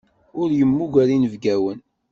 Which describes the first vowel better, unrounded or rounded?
rounded